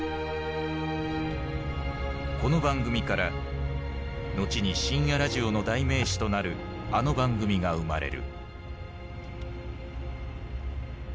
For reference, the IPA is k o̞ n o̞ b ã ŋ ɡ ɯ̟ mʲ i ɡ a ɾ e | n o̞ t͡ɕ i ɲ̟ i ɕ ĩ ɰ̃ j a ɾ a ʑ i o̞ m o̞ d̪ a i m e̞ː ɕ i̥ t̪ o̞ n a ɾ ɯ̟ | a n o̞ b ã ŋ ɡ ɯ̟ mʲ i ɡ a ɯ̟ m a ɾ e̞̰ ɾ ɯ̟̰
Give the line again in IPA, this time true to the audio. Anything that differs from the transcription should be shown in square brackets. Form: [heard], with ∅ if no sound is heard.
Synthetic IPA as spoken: k o̞ n o̞ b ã ŋ ɡ ɯ̟ mʲ i [k] a ɾ [a] | n o̞ t͡ɕ i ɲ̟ i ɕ ĩ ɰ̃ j a ɾ a ʑ i o̞ [n] o̞ d̪ a i m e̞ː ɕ i̥ t̪ o̞ n a ɾ ɯ̟ | a n o̞ b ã ŋ ɡ ɯ̟ mʲ i ɡ a ɯ̟ m a ɾ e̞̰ ɾ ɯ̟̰